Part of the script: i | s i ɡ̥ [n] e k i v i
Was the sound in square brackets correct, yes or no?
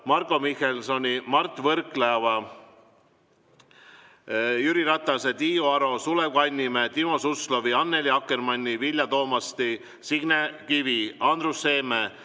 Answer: yes